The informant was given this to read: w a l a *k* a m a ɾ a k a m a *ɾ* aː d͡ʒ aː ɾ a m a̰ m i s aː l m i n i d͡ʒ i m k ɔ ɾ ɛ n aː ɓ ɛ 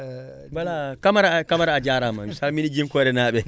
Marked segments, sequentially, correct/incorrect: correct, correct

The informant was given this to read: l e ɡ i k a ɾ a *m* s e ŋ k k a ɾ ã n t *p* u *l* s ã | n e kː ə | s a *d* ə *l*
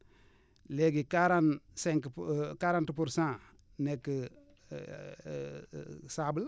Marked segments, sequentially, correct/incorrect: incorrect, correct, incorrect, incorrect, correct

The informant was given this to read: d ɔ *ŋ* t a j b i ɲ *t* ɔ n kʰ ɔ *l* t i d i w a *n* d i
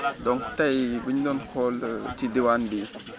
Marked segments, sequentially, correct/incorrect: correct, incorrect, correct, correct

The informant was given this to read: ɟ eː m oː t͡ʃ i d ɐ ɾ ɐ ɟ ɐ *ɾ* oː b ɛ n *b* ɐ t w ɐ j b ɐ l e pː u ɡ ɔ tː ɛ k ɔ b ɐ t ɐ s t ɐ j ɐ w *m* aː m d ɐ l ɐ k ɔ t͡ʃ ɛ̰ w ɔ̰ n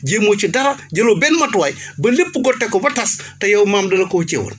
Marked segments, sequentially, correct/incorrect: incorrect, incorrect, correct

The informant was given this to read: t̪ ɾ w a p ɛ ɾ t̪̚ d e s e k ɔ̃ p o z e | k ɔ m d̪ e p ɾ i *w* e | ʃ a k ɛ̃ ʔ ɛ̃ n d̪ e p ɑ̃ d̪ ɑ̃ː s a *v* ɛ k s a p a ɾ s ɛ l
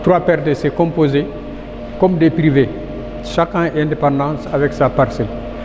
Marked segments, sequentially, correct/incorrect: incorrect, correct

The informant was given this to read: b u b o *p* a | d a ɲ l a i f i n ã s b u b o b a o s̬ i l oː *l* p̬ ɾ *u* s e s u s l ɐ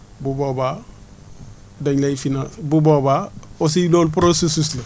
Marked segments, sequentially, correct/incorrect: incorrect, correct, incorrect

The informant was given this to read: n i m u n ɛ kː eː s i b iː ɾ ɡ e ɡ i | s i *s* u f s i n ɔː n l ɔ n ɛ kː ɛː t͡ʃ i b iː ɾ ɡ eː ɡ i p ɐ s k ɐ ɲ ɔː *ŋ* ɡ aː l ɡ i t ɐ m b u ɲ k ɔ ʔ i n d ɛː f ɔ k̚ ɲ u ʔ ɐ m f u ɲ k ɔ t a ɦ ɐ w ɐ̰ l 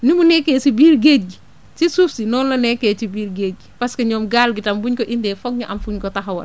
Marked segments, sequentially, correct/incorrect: correct, incorrect

